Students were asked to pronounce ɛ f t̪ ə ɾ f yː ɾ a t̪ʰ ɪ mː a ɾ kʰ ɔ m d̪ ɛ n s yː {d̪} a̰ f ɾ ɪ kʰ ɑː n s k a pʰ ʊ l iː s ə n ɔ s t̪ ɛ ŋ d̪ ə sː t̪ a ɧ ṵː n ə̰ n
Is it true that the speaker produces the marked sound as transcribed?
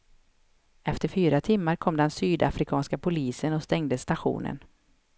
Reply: yes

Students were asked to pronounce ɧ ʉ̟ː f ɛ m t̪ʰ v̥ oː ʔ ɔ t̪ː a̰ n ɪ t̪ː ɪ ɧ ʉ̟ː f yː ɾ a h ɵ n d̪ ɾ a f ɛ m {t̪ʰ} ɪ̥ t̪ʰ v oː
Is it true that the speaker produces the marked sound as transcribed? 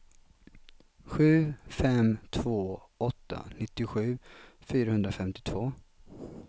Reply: no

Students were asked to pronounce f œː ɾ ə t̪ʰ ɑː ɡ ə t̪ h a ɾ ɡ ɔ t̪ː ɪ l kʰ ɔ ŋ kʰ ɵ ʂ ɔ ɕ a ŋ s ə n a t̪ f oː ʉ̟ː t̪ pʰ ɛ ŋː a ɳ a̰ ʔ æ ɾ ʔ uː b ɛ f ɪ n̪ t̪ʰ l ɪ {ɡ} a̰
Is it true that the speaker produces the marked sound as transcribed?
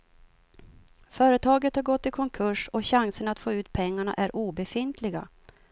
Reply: yes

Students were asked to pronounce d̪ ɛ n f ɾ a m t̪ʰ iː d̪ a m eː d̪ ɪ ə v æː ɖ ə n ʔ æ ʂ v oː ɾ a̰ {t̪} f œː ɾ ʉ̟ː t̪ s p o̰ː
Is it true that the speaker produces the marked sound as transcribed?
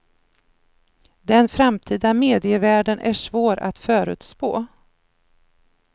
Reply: yes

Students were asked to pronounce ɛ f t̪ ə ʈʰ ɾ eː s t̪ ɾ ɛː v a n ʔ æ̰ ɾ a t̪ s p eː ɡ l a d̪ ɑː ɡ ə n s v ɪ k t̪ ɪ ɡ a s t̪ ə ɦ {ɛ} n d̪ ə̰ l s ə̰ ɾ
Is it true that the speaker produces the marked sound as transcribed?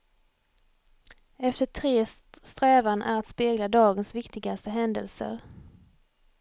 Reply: yes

